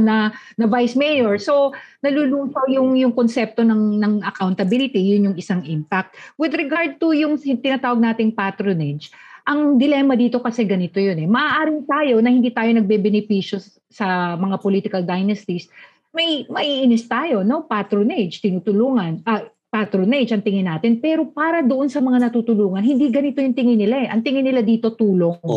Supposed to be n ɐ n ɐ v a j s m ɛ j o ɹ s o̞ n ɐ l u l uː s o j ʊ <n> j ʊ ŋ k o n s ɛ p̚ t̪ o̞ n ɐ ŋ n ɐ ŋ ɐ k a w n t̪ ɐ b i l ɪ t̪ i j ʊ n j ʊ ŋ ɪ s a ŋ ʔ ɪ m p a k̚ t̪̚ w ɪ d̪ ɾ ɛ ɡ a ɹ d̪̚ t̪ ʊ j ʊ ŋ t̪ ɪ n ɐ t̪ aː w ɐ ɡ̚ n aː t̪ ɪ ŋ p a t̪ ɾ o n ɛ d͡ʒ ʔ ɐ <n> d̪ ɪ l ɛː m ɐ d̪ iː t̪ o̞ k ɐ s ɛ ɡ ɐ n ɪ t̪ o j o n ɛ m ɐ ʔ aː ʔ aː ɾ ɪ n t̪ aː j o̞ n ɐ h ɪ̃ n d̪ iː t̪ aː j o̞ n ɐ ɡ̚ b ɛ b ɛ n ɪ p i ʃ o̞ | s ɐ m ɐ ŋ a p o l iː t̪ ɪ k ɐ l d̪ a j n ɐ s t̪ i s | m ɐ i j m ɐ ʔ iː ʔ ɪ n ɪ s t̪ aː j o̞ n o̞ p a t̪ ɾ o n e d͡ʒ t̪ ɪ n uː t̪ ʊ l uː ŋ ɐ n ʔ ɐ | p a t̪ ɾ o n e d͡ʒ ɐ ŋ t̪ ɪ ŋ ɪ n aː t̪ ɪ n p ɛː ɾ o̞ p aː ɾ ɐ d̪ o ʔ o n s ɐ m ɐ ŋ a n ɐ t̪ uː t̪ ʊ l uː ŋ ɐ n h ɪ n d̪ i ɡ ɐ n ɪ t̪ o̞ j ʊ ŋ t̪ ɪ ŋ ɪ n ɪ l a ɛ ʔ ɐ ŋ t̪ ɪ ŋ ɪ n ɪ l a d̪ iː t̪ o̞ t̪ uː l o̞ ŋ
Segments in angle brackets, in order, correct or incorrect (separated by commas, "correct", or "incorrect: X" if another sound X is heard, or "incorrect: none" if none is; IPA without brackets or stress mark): incorrect: ŋ, incorrect: ŋ